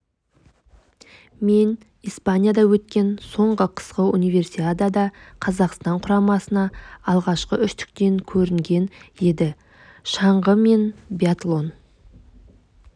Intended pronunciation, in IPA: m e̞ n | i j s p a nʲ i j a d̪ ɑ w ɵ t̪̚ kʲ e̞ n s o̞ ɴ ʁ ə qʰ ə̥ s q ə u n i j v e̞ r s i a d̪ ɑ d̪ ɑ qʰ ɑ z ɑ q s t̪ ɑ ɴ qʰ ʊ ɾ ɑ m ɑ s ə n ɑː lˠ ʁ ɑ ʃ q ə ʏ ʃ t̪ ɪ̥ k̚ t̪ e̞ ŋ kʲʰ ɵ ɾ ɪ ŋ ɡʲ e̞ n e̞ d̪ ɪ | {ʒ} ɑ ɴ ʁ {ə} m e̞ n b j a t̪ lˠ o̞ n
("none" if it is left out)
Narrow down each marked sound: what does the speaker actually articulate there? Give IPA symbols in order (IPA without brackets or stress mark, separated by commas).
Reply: ʃ, ə